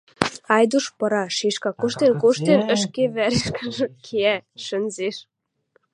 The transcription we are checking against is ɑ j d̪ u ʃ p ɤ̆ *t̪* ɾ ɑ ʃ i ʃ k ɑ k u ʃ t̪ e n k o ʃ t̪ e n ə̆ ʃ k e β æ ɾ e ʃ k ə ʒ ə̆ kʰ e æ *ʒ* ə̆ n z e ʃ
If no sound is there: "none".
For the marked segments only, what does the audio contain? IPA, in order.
none, ʃ

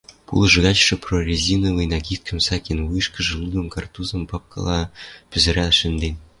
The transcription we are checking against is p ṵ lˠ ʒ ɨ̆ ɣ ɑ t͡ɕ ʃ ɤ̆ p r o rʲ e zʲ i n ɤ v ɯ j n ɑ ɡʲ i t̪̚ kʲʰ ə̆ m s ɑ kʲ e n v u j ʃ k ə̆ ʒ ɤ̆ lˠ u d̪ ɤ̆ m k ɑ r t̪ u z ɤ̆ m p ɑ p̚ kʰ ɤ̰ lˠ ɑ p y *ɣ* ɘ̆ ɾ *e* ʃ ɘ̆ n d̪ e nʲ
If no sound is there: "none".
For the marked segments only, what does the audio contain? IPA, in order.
z, æ

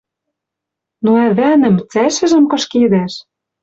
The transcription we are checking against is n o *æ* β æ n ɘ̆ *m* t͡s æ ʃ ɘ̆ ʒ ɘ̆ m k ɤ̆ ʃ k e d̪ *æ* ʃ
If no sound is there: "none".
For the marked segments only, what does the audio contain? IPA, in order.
æ, m, æ

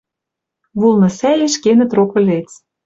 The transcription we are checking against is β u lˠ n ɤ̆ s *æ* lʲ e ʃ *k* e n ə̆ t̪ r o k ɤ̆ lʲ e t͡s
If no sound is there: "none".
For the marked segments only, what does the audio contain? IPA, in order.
æ, k

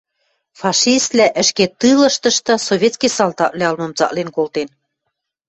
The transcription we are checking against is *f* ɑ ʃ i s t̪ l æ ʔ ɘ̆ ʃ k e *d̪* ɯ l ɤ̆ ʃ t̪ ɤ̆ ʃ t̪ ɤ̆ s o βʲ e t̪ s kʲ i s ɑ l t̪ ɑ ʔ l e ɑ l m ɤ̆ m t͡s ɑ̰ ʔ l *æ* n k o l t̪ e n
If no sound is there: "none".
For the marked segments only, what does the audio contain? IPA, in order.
f, t̪, e

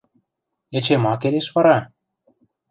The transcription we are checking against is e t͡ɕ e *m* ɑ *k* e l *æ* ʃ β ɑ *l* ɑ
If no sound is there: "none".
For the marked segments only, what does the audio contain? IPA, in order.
m, k, e, ɾ

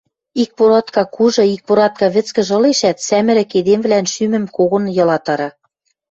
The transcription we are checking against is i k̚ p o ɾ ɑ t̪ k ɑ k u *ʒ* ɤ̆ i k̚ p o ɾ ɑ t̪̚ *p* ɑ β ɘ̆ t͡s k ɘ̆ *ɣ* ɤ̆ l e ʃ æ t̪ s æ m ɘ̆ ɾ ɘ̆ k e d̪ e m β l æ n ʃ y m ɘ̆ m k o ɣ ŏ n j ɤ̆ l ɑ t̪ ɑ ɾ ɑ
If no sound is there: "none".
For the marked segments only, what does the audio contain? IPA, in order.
ʒ, k, ʒ

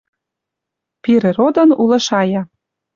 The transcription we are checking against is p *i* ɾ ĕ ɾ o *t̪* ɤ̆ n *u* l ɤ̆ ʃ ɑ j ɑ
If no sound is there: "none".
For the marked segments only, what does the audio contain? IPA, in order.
i, d̪, u

